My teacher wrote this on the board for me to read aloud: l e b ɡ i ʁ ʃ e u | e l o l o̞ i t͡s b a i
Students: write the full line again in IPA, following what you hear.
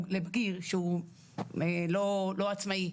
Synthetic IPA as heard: l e b ɡ i ʁ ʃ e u | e l o l o̞ a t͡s m a i